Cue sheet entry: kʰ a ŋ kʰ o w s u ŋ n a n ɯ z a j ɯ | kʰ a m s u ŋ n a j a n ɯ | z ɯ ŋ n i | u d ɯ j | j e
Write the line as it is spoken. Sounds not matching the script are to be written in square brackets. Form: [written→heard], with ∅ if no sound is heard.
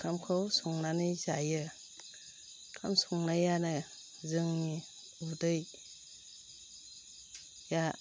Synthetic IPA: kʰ a [ŋ→m] kʰ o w s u ŋ n a n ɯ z a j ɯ | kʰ a m s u ŋ n a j a n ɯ | z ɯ ŋ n i | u d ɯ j | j [e→a]